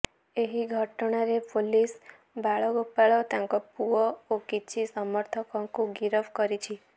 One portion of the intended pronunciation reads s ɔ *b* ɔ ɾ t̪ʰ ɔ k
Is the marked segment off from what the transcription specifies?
yes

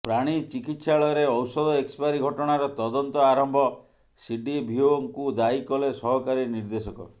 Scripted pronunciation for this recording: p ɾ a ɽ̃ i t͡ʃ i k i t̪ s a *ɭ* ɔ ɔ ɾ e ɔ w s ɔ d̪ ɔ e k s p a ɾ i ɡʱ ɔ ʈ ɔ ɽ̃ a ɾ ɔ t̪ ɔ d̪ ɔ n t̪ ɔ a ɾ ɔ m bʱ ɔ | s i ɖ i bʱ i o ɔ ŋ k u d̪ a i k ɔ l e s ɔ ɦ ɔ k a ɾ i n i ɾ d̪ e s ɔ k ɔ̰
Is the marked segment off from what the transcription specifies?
no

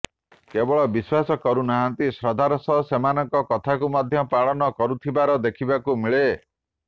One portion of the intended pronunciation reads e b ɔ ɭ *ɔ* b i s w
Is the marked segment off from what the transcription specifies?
no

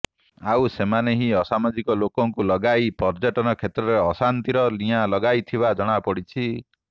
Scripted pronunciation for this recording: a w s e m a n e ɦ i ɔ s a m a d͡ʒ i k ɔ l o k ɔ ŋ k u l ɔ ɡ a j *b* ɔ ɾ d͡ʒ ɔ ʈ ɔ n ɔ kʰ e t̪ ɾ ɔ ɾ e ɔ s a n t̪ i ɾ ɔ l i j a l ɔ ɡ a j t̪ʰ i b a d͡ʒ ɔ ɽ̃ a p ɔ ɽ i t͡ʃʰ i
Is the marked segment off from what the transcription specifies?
yes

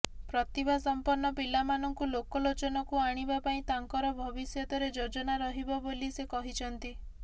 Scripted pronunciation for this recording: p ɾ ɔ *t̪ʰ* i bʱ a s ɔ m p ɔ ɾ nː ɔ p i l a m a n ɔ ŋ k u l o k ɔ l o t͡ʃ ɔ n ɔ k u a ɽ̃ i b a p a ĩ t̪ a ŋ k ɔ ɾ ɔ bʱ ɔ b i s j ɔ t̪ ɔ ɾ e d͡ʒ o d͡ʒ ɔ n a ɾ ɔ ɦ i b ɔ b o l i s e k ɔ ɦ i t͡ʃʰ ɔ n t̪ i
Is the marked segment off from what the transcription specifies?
yes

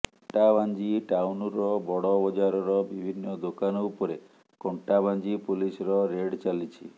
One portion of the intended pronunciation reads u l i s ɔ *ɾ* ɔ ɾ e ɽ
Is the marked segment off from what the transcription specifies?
no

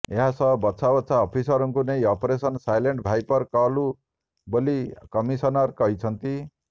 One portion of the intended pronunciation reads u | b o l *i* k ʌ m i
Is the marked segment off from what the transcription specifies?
no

